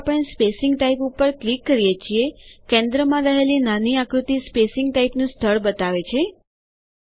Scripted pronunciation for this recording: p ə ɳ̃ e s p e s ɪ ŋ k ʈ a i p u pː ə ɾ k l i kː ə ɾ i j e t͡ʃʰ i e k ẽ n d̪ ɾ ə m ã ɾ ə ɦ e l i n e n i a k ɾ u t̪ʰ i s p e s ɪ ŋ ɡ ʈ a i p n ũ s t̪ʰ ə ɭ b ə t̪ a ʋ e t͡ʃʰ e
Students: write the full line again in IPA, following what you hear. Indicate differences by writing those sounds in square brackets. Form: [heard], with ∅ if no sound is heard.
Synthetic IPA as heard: p ə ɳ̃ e s p e s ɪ ŋ [ɡ] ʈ a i p u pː ə ɾ k l i kː ə ɾ i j e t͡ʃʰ i e k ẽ n d̪ ɾ ə m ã ɾ ə ɦ e l i n [a] n i a k ɾ u [t̪] i s p e s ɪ ŋ ɡ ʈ a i p n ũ s t̪ʰ ə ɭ b ə t̪ a ʋ e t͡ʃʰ e